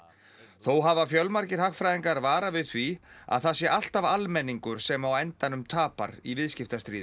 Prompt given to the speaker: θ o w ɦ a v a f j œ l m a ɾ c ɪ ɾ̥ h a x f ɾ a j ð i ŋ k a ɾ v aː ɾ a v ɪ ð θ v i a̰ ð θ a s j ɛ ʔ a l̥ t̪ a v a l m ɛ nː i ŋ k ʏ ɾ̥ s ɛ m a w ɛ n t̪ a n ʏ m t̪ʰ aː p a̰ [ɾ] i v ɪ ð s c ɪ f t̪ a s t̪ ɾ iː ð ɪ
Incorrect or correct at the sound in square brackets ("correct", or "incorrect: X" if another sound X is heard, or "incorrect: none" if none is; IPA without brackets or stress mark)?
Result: correct